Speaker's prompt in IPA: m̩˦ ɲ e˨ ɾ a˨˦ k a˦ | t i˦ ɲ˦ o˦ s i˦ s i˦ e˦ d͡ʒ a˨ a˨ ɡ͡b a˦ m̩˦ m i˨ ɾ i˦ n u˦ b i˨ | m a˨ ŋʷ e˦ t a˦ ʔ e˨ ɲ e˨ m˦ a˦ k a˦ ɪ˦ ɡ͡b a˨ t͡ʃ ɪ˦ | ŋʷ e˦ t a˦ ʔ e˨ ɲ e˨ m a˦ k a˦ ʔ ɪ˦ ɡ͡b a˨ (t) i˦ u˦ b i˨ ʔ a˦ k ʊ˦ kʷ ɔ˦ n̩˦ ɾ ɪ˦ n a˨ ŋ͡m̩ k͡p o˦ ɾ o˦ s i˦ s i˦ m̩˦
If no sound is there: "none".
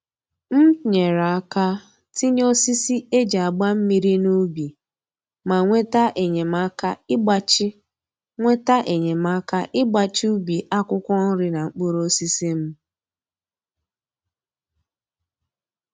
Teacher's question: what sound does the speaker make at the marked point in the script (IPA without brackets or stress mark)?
t͡ʃ